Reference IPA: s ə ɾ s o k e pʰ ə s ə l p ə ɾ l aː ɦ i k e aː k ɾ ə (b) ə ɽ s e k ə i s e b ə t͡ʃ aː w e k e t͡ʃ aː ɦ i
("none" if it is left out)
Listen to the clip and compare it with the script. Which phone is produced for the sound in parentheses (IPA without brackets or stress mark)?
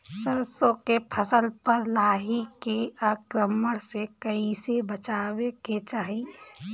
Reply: m